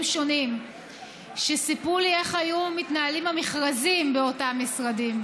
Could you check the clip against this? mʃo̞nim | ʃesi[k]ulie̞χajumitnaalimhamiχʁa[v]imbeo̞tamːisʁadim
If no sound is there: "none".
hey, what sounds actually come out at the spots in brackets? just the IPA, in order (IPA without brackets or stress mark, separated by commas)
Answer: p, z